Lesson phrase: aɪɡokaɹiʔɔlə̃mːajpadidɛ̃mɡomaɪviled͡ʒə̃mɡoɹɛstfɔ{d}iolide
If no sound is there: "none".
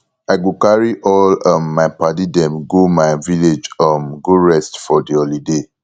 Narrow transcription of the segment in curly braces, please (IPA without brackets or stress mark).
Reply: d